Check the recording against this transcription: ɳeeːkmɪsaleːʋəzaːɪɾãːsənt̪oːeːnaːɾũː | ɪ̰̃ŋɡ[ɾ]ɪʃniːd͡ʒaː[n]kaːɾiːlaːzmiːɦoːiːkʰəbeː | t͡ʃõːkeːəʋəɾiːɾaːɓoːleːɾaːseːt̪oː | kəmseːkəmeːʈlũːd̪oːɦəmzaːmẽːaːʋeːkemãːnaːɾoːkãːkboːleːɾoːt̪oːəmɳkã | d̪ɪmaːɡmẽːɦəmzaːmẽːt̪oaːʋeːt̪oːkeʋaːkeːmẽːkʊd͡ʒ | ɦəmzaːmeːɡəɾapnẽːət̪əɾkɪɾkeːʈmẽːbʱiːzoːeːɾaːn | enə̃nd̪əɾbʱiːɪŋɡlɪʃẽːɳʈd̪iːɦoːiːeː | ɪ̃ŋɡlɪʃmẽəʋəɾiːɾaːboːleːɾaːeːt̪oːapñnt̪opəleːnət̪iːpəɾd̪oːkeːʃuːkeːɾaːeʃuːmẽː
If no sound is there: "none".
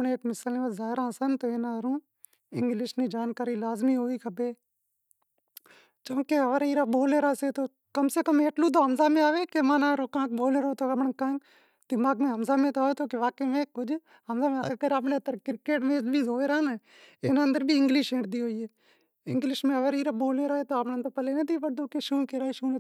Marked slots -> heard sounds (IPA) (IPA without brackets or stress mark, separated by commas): l, n